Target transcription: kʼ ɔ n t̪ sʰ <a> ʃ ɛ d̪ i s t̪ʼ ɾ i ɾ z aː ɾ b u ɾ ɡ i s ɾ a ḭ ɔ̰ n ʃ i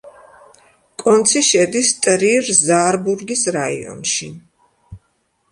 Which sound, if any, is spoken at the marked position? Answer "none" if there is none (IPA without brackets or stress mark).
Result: i